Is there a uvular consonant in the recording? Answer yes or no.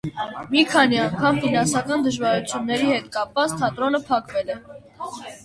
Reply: no